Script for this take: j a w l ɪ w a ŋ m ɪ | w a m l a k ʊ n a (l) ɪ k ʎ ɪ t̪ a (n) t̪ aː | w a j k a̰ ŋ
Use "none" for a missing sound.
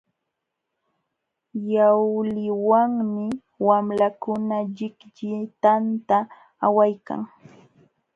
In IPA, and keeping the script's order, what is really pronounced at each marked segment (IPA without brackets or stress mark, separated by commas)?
ʎ, n